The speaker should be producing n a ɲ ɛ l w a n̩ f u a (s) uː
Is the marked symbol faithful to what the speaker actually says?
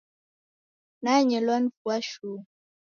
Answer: no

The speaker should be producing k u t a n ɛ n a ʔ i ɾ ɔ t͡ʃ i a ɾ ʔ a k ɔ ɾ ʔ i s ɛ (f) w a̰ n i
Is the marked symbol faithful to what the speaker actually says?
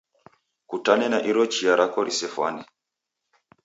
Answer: yes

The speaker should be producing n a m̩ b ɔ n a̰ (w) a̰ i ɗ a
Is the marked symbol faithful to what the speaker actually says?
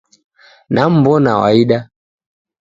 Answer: yes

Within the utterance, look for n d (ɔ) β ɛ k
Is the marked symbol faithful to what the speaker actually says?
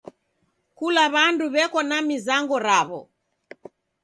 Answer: no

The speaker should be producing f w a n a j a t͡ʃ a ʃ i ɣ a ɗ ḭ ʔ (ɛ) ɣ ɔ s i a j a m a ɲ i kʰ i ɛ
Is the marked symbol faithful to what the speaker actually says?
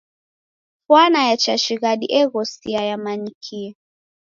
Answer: yes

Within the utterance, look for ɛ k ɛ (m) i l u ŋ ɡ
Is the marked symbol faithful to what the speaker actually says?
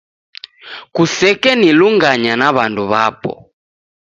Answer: no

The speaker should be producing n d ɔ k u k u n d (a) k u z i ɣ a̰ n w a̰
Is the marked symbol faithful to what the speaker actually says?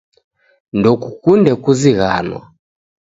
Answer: no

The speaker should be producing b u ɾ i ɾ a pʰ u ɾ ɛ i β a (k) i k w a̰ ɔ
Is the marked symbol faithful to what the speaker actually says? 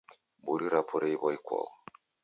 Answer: no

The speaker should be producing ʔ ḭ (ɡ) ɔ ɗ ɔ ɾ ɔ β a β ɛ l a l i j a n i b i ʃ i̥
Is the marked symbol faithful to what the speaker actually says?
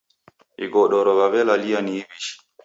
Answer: yes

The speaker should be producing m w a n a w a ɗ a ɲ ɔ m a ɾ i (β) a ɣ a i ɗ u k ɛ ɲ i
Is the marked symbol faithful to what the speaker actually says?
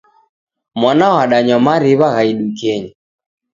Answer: yes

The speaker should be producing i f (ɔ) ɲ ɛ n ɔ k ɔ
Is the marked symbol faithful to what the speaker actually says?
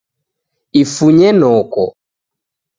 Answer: no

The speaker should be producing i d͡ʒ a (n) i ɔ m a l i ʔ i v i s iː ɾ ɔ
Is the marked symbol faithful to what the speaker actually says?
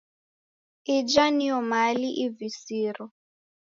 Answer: yes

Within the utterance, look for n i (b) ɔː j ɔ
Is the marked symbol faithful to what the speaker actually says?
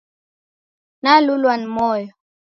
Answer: no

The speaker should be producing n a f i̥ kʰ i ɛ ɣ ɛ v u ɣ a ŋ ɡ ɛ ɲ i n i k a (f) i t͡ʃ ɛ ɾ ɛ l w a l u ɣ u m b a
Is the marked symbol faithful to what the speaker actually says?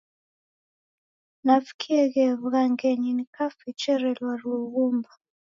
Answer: yes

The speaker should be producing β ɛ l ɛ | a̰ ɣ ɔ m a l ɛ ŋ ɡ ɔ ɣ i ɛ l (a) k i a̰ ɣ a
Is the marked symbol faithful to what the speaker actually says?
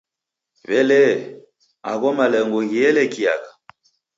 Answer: no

